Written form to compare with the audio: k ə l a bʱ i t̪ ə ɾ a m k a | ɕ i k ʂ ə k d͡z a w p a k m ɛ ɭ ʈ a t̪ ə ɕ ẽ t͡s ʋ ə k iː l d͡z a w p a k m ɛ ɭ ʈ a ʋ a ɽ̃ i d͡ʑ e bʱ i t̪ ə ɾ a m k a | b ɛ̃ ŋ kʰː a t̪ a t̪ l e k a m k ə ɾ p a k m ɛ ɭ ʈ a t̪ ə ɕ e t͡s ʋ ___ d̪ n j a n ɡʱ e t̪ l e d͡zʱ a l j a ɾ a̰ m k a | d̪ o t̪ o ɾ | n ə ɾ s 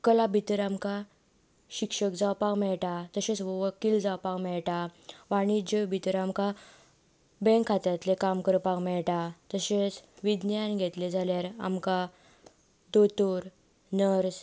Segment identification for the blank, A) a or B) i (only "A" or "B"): B